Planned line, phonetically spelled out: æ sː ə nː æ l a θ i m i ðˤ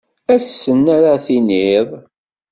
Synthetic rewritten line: æ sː ə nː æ ɾ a θ i n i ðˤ